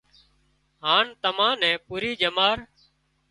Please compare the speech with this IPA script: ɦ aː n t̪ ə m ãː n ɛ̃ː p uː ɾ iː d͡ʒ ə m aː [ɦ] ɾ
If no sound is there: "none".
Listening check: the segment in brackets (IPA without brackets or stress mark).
none